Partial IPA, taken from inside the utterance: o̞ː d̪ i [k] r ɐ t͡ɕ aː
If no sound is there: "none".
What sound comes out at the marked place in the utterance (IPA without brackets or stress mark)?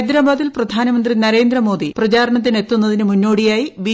p